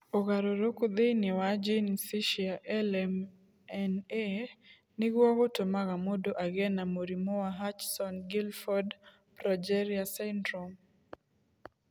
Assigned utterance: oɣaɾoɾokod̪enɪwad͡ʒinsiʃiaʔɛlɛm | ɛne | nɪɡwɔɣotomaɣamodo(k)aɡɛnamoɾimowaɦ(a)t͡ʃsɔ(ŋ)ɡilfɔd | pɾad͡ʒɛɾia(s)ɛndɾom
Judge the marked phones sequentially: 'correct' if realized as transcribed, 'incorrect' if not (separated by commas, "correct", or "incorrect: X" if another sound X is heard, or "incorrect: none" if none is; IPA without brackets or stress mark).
incorrect: ʔ, correct, incorrect: n, correct